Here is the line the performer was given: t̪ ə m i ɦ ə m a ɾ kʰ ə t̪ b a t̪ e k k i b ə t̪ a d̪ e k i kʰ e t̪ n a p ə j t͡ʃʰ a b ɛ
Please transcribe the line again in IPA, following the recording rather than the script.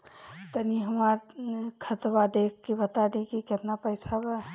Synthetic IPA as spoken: t̪ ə n i ɦ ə m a ɾ kʰ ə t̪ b a d̪ e k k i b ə t̪ a d̪ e k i k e t̪ n a p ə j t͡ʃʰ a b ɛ